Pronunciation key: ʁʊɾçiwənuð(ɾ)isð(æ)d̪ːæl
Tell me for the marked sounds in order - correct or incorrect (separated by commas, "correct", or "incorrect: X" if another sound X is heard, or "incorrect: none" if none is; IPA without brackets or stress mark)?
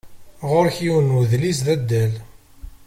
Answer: incorrect: l, correct